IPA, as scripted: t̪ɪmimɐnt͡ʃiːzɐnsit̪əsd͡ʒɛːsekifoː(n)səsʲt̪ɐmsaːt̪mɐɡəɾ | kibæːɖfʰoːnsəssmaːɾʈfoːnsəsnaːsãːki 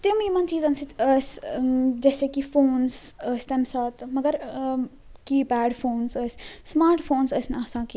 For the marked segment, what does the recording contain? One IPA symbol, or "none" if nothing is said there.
n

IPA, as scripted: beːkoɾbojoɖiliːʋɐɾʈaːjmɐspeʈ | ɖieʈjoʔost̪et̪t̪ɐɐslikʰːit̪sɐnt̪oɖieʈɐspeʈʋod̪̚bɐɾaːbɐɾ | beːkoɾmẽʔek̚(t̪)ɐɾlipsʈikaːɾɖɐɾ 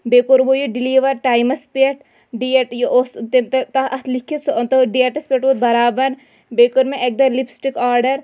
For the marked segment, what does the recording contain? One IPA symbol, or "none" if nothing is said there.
d̪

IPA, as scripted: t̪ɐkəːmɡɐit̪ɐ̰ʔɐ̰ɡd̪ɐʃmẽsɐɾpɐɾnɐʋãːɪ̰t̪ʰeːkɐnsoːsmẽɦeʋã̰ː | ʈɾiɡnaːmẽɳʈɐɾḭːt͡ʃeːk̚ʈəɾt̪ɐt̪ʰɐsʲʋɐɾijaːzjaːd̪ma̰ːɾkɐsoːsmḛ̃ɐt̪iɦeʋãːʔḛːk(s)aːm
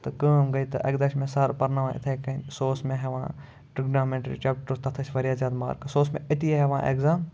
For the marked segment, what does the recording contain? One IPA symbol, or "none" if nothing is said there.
z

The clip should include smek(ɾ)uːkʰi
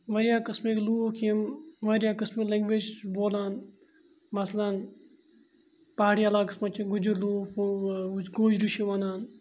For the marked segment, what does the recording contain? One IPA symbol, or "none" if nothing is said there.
l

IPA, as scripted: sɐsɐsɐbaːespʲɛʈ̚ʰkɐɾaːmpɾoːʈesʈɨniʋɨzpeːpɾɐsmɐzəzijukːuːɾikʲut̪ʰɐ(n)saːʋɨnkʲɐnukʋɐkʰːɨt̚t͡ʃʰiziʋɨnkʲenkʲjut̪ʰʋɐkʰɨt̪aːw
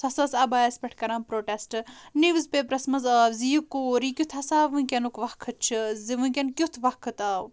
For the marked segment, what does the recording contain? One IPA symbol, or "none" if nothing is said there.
none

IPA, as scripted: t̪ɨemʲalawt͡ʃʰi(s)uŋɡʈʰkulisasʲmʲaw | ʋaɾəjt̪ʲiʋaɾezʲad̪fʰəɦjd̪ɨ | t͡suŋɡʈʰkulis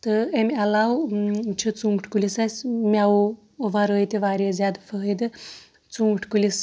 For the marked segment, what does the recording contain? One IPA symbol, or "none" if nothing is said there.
t͡s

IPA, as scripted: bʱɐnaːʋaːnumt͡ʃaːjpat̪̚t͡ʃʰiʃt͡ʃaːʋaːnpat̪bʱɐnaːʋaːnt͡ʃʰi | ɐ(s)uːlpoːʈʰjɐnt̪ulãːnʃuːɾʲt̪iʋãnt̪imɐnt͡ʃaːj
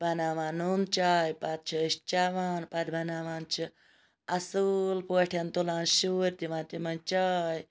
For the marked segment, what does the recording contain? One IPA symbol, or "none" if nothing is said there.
s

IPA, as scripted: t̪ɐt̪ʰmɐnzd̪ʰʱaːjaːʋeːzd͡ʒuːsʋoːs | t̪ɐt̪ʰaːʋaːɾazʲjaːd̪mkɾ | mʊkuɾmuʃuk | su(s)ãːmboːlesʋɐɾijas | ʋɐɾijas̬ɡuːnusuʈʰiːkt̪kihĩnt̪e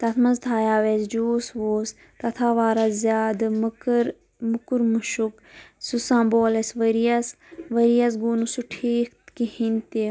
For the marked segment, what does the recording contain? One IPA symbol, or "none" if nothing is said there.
s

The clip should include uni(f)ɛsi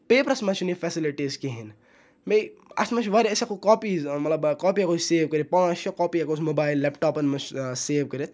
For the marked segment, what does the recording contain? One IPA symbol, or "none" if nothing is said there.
f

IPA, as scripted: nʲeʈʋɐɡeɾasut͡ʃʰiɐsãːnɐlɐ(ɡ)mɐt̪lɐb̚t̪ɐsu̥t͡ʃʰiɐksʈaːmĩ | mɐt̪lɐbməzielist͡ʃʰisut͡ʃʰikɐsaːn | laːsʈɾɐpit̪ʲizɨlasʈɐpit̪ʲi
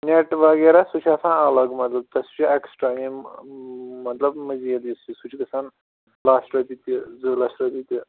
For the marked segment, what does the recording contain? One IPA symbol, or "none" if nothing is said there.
ɡ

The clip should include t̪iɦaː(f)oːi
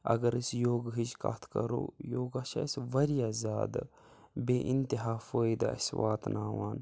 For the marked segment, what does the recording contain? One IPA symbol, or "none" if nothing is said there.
f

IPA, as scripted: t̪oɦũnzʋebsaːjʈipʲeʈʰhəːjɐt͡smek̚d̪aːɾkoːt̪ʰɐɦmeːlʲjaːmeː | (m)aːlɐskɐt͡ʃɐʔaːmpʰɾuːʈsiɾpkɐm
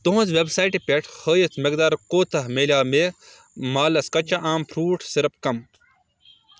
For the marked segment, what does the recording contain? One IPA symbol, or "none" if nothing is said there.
m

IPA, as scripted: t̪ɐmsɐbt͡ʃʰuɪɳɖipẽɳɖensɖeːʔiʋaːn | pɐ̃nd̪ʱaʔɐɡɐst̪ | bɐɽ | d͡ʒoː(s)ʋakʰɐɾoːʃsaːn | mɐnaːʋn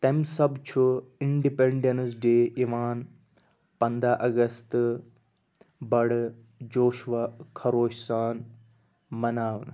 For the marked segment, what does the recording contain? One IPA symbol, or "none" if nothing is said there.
ʃ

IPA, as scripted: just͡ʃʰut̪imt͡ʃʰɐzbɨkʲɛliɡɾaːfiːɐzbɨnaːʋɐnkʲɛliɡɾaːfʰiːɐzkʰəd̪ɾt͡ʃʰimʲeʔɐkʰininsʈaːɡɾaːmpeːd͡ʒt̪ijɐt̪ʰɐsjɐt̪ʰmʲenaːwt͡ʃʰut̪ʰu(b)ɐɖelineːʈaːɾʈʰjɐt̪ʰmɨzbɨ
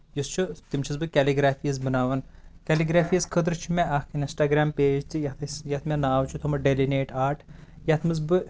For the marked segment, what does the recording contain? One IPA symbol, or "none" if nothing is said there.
m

